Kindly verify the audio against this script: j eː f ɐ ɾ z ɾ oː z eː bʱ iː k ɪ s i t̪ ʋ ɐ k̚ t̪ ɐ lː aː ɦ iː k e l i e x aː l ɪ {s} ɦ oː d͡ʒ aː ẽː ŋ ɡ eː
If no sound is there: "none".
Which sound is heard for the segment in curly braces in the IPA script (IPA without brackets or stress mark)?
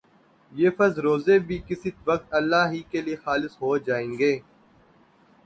s